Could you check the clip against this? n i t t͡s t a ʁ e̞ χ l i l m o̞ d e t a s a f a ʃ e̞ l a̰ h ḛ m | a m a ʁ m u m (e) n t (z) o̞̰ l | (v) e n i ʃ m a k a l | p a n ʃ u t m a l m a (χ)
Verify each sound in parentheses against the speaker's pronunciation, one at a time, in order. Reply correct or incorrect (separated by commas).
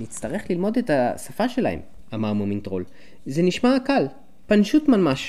incorrect, incorrect, incorrect, incorrect